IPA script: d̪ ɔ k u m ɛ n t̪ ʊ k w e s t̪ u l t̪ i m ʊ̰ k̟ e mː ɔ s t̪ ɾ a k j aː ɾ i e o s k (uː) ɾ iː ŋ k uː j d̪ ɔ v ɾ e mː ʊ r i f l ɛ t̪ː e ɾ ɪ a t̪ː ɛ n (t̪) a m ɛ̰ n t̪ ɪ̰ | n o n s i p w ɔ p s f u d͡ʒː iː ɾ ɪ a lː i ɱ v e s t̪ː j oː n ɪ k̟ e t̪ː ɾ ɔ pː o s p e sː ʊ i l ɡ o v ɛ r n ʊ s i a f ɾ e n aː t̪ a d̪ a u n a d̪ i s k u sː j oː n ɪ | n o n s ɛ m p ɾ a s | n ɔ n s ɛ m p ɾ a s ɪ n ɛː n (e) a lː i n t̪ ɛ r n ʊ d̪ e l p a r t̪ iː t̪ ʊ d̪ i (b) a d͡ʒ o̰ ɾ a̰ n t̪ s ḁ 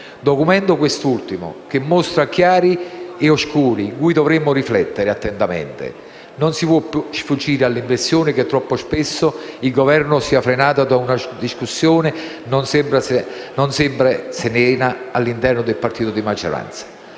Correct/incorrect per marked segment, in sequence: correct, correct, incorrect: a, incorrect: m

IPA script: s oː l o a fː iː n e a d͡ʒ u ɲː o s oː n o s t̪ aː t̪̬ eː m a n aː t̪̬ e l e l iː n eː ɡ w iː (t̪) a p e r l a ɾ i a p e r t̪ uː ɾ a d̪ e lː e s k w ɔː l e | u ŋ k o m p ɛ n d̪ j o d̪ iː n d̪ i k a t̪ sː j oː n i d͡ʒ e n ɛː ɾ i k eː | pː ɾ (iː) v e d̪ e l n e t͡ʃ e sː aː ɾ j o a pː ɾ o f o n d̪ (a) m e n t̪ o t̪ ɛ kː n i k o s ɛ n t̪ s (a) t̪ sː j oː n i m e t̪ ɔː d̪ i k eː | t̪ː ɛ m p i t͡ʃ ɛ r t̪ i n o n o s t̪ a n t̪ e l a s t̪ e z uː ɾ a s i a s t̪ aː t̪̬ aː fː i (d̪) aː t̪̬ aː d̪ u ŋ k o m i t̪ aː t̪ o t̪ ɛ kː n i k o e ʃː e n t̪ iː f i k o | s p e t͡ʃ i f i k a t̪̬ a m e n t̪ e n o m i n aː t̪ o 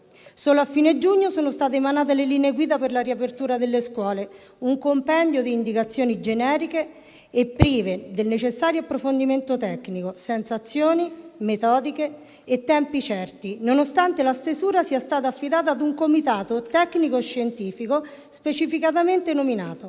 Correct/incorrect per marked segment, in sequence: incorrect: d̪, correct, incorrect: i, correct, correct

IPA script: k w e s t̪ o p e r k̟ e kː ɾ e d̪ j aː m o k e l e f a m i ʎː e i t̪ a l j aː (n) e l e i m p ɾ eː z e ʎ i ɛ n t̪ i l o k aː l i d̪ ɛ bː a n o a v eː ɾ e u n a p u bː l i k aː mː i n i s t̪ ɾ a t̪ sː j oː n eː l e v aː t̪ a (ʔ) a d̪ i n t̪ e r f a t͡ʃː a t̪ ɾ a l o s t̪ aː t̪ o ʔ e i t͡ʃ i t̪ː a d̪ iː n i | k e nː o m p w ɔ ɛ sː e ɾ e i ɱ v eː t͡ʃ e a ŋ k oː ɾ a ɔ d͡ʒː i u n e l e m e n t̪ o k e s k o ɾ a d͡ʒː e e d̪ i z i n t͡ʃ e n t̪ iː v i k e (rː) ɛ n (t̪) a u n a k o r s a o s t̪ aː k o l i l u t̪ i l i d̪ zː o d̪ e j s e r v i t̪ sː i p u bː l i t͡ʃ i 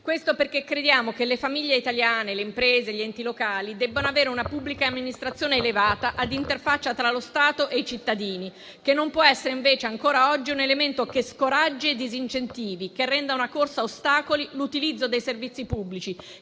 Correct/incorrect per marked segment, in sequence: correct, correct, correct, incorrect: d̪

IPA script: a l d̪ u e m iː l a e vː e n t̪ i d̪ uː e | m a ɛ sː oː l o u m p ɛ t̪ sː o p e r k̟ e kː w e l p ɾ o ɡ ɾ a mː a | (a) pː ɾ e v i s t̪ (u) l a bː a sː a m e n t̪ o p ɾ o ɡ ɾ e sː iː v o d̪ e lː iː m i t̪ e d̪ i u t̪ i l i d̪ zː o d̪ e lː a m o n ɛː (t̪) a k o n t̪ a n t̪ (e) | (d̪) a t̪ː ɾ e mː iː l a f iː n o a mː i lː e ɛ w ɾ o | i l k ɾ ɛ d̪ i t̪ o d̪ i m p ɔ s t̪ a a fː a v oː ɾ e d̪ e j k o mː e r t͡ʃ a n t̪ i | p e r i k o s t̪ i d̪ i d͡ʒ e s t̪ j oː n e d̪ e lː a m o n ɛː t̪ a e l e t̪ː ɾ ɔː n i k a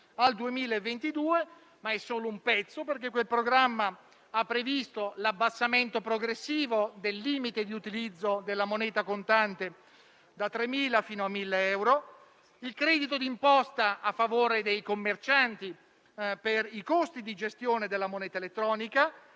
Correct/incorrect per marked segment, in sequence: correct, incorrect: o, correct, correct, correct

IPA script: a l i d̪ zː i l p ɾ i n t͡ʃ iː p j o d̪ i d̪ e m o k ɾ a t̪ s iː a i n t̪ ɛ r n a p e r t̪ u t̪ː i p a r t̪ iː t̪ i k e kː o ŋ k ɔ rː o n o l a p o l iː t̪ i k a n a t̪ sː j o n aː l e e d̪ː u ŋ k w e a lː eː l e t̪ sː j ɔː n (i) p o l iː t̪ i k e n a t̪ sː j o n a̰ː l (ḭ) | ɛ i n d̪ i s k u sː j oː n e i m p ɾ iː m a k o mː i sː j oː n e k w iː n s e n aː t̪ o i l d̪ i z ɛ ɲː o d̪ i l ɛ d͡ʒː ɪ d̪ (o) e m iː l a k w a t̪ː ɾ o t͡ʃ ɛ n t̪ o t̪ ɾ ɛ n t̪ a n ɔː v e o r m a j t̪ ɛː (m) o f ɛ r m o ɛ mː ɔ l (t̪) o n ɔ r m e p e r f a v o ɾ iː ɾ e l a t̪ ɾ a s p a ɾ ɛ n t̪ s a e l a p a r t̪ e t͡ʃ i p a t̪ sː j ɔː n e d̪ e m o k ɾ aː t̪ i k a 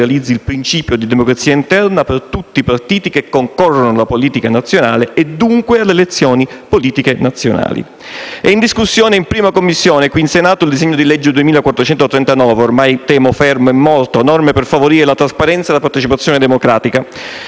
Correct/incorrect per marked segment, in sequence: correct, correct, incorrect: u, correct, correct

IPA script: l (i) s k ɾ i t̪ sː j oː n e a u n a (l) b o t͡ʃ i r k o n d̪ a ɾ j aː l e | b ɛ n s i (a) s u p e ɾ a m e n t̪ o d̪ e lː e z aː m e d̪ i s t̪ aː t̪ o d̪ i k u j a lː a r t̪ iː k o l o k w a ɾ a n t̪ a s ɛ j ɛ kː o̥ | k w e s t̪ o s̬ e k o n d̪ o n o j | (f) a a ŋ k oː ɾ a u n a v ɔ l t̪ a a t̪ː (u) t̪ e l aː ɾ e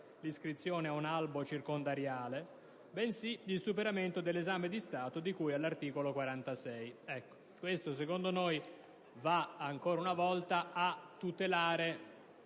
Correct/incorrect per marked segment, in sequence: correct, correct, incorrect: i, incorrect: v, correct

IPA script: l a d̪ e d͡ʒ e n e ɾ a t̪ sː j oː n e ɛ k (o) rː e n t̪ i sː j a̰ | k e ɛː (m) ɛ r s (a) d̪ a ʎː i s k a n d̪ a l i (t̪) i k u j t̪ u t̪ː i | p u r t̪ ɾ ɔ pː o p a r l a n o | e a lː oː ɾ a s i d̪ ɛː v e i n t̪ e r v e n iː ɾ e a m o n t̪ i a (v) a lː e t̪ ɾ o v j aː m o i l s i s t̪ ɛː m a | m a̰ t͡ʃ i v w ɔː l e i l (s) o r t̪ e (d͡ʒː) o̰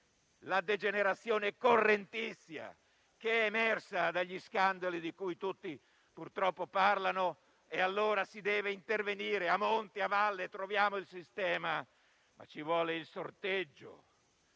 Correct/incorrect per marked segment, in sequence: correct, correct, correct, incorrect: d̪, correct, correct, correct

